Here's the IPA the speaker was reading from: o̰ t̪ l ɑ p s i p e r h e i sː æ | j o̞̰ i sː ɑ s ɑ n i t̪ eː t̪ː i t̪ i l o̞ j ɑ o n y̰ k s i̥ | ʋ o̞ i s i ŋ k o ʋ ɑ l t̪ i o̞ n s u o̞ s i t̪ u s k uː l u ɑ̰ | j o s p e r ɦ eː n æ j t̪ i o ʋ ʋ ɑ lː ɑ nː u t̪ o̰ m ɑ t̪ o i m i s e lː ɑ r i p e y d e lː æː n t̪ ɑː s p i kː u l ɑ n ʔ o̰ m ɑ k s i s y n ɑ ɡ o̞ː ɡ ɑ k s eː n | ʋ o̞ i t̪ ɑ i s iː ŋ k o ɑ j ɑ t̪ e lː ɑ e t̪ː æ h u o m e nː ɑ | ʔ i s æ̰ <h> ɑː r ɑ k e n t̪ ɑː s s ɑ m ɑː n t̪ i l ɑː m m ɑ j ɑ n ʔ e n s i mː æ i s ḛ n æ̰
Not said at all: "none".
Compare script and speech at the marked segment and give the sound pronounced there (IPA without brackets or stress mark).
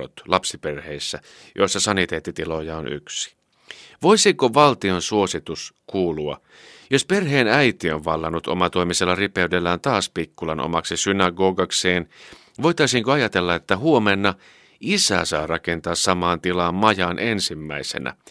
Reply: s